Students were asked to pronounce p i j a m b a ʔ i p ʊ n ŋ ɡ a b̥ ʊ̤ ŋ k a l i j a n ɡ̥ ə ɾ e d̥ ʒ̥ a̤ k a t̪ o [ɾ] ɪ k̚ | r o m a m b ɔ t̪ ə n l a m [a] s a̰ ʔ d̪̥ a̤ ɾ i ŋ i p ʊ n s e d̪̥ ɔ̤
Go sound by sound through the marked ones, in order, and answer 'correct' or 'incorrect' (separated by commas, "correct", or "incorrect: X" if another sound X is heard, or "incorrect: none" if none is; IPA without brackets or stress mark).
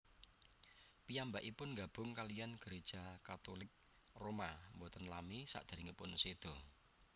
incorrect: l, incorrect: i